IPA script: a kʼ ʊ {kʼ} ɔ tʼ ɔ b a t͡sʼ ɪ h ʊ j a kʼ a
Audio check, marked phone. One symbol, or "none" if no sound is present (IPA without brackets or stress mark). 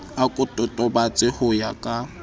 tʼ